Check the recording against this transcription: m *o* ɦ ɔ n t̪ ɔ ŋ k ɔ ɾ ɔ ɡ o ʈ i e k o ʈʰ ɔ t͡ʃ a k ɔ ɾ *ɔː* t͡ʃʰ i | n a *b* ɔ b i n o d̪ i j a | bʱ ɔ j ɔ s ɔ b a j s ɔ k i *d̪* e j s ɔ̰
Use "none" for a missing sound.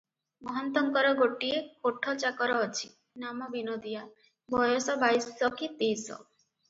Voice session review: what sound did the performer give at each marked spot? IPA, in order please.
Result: ɔ, ɔː, m, t̪

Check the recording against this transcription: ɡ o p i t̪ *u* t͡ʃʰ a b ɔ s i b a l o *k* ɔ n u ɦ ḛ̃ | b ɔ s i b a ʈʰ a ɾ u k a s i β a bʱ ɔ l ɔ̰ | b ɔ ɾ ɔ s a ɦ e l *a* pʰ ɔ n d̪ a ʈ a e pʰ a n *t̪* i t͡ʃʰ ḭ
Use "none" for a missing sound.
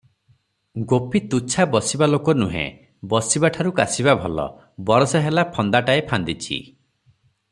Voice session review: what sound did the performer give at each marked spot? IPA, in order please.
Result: u, k, a, d̪

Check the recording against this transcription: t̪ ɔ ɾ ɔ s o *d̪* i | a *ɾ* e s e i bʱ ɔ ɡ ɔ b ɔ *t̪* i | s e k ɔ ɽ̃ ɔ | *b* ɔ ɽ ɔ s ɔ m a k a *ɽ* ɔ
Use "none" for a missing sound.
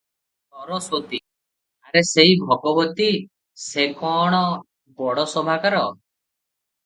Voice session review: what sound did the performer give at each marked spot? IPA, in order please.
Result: t̪, ɾ, t̪, b, ɾ

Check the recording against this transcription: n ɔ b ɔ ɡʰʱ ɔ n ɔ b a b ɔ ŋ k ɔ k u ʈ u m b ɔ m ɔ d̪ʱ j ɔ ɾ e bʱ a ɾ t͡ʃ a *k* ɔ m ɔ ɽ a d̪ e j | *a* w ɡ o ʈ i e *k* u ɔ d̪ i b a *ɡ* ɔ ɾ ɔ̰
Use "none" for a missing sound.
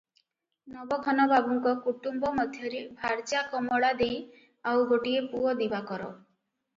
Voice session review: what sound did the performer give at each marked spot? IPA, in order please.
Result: k, a, p, k

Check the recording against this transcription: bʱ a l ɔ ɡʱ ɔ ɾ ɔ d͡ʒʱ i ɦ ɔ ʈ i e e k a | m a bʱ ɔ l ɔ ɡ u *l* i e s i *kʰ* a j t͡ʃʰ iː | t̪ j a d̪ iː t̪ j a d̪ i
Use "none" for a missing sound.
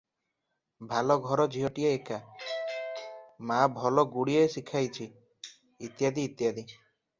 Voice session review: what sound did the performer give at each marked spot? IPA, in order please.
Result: ɽ, kʰ

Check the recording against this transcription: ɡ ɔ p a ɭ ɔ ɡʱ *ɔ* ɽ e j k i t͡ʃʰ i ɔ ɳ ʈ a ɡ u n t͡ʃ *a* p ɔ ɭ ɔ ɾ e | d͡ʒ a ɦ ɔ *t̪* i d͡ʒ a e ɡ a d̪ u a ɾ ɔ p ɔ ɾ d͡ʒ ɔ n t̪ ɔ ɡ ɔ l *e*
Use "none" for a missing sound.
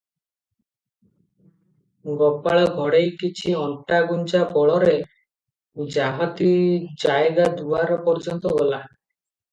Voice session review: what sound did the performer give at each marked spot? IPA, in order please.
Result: ɔ, a, t̪, a

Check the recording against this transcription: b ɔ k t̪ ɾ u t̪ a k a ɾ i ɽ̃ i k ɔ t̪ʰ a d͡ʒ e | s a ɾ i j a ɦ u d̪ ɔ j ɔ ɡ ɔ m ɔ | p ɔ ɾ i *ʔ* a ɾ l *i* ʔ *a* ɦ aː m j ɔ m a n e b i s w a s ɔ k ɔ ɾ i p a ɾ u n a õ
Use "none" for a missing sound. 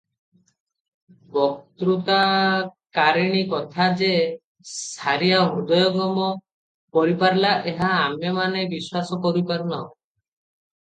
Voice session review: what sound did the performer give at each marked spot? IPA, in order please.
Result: p, a, e

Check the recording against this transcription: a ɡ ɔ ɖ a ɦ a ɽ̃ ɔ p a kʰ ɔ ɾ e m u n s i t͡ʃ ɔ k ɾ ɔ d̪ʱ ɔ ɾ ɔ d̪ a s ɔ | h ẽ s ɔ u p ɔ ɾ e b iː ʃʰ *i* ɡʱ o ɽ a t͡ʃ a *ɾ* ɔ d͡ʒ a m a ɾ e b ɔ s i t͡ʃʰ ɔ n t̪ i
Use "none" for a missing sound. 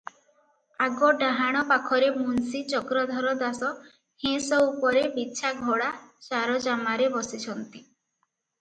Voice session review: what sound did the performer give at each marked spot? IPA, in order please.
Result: a, ɾ

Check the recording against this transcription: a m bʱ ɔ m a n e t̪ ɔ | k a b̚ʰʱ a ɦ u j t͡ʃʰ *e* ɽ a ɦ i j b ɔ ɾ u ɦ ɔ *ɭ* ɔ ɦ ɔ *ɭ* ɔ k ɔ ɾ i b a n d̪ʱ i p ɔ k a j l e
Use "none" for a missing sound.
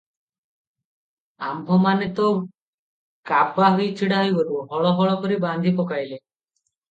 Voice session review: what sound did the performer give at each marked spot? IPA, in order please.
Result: i, ɭ, ɭ

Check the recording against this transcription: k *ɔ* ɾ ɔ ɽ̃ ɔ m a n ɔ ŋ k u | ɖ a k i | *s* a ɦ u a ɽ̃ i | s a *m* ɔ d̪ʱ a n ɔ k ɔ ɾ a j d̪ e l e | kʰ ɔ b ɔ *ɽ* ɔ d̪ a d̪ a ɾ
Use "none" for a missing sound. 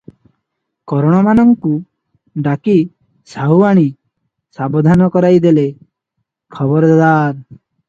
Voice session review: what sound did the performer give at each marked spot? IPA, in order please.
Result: ɔ, s, b, ɾ

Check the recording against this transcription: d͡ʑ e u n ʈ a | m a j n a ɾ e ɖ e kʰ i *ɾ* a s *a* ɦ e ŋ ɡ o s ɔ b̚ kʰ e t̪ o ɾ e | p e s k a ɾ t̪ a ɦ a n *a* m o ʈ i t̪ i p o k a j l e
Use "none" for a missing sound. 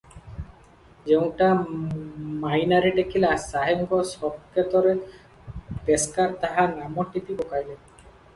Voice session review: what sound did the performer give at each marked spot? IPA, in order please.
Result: l, a, a

